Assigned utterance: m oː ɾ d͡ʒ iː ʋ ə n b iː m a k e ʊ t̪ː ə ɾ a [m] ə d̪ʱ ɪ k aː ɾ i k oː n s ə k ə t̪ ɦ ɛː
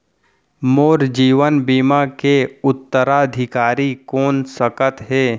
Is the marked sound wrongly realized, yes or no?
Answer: yes